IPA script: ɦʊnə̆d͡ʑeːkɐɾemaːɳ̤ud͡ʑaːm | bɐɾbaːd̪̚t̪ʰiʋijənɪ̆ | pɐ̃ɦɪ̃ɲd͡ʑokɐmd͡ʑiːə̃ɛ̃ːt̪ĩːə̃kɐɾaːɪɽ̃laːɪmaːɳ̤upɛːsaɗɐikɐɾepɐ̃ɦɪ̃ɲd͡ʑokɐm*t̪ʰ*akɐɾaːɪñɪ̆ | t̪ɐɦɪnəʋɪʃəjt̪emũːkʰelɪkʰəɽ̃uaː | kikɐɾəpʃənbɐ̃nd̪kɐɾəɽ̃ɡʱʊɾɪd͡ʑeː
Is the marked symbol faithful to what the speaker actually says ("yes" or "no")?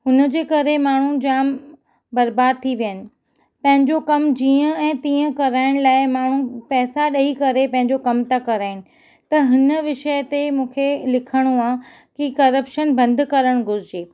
no